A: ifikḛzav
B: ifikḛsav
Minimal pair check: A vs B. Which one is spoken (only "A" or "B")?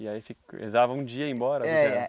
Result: A